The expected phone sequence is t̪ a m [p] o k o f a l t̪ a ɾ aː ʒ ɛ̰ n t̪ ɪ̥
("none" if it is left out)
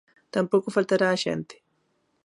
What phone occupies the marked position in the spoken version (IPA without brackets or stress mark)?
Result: p